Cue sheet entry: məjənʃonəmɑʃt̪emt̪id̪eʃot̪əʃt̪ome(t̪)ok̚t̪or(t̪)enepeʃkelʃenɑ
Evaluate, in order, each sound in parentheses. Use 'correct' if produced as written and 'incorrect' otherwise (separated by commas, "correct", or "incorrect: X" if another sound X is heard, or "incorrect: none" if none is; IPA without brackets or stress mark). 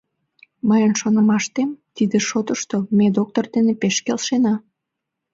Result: incorrect: d̪, incorrect: d̪